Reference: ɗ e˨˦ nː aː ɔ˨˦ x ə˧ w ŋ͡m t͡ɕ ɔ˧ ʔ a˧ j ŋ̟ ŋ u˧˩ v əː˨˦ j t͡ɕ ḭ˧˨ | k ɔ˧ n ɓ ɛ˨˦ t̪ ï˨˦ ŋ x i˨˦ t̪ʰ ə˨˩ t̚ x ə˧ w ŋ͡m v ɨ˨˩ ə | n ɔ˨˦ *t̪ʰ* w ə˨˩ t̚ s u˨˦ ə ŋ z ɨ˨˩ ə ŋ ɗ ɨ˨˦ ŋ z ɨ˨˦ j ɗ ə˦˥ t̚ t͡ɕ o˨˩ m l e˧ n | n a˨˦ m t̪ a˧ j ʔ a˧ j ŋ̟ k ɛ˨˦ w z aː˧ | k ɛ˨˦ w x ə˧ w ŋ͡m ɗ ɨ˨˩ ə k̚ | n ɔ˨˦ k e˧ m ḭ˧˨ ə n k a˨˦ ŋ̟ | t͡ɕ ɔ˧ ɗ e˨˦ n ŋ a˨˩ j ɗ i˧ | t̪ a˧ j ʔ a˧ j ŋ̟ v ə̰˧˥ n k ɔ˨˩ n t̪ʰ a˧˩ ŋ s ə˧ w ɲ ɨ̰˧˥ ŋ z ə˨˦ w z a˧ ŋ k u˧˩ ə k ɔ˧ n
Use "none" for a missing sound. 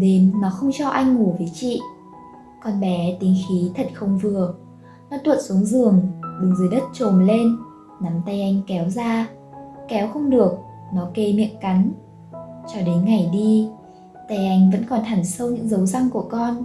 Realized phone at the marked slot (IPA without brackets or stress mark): t̪